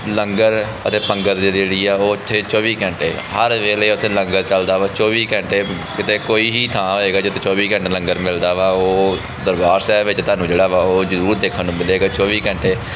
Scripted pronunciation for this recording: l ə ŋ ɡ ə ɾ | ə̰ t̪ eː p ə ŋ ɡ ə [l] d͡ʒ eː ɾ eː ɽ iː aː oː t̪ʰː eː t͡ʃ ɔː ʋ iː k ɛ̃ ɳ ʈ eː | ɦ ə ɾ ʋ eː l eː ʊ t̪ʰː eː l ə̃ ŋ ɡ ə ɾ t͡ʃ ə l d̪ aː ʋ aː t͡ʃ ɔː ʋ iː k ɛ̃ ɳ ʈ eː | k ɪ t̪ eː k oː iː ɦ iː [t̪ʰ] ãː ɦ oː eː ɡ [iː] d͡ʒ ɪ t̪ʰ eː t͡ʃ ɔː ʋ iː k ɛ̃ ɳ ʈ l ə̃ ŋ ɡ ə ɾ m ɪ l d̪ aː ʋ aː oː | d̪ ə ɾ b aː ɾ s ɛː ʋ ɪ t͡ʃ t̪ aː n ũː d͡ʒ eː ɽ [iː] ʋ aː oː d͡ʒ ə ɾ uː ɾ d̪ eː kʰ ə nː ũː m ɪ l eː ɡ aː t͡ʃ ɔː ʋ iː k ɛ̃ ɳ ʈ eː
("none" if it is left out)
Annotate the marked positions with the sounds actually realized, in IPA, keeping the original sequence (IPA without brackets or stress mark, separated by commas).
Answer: ɾ, t̪ʰ, aː, aː